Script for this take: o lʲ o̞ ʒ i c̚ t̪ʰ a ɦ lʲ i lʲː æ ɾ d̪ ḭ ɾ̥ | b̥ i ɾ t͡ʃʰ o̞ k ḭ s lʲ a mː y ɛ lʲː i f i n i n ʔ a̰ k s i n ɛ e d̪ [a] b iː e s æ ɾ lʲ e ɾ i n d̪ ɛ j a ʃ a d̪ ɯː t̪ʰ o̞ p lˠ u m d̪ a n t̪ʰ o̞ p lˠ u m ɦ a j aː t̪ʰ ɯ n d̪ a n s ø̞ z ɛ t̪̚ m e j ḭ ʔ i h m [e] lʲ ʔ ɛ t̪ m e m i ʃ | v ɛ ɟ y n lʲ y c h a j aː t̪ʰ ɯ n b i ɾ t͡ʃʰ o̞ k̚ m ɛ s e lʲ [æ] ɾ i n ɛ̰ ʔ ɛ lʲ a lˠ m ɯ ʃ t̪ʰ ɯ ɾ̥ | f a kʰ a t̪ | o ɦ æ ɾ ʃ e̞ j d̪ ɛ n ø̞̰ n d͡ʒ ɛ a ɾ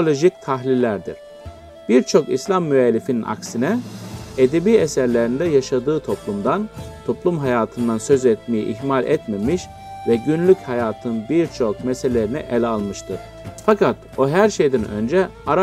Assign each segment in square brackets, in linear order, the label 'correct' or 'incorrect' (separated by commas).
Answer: incorrect, incorrect, incorrect